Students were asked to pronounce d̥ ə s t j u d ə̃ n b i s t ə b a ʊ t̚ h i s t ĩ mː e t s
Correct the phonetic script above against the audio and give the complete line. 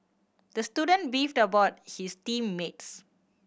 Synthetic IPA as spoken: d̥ ə s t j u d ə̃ n b i f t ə b a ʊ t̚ h i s t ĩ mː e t s

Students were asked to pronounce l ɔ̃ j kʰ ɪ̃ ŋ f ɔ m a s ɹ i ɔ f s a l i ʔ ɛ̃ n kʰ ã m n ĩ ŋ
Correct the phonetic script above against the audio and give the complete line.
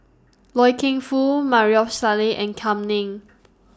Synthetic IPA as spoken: l ɔ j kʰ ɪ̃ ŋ f u m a ɹ i ɔ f s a l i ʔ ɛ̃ n kʰ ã m n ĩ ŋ

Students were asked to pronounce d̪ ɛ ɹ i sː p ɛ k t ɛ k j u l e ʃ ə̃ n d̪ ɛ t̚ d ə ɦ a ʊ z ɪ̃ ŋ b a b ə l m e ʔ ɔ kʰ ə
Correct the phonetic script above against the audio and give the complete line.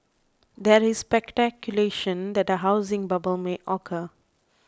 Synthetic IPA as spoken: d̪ ɛ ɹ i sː p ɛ k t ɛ k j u l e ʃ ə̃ n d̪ ɛ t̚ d ə ɦ a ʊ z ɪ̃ ŋ b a b ə l m e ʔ ɔ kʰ ə

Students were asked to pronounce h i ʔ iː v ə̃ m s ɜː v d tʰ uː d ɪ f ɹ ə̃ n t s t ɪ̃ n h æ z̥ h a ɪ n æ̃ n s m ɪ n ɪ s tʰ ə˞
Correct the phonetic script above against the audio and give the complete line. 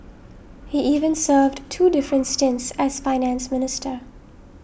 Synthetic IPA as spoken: h i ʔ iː v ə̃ n s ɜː v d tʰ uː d ɪ f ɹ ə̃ n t s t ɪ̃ n s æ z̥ f a ɪ n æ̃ n s m ɪ n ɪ s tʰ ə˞

